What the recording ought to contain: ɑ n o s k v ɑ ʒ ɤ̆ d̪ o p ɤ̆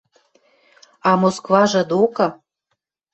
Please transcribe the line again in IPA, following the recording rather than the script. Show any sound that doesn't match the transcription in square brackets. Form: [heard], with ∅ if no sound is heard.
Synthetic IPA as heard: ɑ [m] o s k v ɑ ʒ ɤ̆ d̪ o [k] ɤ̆